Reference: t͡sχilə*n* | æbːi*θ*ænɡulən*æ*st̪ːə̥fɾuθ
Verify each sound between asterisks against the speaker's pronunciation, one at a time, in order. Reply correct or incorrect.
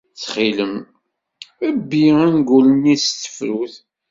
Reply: incorrect: m, incorrect: none, incorrect: i

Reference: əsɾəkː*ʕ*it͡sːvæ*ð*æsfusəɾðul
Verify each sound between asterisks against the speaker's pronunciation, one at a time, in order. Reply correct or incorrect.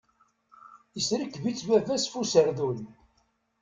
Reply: incorrect: v, incorrect: v

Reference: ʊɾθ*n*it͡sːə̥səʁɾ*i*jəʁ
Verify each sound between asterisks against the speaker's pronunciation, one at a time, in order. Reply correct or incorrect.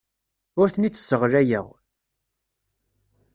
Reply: correct, incorrect: æ

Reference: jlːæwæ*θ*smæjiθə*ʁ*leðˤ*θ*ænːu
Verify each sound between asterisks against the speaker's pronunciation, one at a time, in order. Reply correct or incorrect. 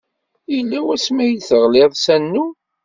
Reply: incorrect: none, correct, incorrect: s

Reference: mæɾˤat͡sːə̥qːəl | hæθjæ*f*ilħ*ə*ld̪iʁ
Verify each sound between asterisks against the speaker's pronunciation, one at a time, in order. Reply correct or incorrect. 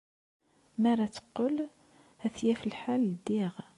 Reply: correct, incorrect: a

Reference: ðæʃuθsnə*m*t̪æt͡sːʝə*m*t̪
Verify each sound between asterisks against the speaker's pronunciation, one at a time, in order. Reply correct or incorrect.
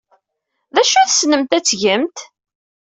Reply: correct, correct

